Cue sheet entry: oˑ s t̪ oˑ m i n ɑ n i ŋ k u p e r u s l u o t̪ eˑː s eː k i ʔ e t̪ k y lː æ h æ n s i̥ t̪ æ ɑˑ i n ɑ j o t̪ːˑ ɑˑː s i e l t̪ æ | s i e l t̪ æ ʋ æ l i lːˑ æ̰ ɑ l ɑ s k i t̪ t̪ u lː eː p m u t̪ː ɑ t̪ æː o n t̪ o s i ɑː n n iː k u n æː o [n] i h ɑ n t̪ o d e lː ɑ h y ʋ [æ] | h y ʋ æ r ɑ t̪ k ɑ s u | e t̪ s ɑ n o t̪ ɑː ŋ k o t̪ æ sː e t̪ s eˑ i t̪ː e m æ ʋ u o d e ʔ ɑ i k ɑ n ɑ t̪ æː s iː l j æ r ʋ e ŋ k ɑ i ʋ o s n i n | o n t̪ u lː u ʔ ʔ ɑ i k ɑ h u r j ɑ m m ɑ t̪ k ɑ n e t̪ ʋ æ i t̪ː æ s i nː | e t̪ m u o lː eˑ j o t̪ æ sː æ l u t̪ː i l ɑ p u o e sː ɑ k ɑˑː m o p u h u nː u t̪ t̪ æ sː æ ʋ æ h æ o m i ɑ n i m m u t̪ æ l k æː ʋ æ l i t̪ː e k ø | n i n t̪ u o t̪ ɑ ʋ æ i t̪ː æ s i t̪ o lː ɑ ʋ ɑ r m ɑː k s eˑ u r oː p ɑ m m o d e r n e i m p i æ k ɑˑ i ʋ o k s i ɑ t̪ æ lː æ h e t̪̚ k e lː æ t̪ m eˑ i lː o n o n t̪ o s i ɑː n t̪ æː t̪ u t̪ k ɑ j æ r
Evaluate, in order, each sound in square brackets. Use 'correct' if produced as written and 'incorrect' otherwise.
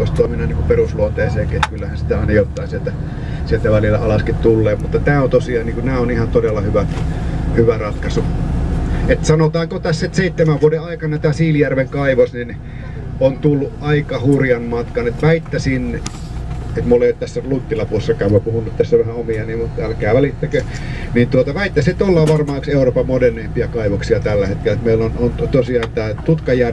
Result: correct, correct

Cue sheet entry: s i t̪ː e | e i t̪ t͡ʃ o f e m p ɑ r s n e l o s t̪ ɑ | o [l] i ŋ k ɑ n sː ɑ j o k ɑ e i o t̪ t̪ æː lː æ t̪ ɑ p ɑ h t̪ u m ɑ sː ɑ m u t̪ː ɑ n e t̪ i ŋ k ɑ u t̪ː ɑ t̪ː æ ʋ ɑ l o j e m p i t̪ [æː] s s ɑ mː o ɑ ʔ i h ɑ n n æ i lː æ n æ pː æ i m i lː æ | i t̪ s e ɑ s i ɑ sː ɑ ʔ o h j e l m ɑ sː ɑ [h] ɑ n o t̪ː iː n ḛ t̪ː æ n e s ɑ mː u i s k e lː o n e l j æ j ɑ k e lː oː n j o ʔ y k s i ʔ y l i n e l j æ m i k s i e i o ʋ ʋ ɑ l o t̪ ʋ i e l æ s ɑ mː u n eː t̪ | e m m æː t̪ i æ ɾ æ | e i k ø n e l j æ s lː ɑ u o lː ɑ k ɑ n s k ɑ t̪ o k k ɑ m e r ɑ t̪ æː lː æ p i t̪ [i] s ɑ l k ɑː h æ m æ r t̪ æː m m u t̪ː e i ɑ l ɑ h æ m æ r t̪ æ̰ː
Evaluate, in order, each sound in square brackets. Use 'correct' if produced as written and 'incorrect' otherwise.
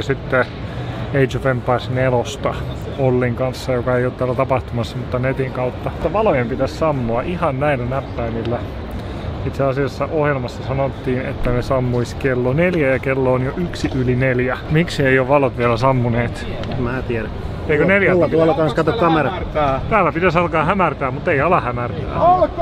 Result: incorrect: lː, incorrect: æ, incorrect: s, incorrect: æ

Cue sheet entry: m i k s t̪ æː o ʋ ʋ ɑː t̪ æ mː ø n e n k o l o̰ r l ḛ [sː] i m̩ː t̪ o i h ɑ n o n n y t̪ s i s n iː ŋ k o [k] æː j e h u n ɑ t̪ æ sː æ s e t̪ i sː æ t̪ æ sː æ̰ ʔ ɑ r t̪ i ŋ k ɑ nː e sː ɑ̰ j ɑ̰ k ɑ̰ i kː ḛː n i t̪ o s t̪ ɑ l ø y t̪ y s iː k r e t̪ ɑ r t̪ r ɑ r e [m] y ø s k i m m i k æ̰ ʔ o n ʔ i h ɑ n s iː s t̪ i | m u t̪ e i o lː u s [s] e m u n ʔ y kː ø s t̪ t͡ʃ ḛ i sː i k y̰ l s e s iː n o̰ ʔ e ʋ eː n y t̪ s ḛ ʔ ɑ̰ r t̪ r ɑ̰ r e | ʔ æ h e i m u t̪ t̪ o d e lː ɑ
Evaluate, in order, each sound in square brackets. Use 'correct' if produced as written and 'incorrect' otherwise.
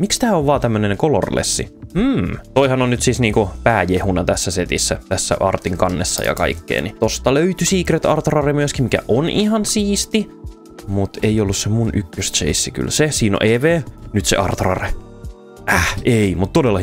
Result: correct, incorrect: p, correct, correct

